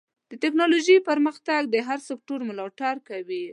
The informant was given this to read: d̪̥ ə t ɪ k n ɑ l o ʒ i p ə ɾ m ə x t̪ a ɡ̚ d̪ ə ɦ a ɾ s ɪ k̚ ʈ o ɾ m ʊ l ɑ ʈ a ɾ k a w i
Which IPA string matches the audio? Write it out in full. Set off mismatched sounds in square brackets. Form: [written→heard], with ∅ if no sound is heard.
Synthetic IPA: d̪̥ ə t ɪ k n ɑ l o ʒ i p ə ɾ m ə x t̪ a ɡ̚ d̪ ə ɦ a ɾ s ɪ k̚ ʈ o ɾ m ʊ l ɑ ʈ a ɾ k a w i